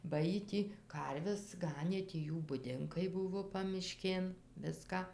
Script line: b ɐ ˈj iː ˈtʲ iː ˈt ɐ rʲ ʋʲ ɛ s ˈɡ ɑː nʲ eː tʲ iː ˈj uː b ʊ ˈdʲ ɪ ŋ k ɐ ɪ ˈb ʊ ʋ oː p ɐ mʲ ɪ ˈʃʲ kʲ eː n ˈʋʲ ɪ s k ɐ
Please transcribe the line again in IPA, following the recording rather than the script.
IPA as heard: b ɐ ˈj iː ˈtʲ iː ˈk ɐ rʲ ʋʲ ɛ s ˈɡ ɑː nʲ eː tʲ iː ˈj uː b ʊ ˈdʲ ɪ ŋ k ɐ ɪ ˈb ʊ ʋ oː p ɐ mʲ ɪ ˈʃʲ kʲ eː n ˈʋʲ ɪ s k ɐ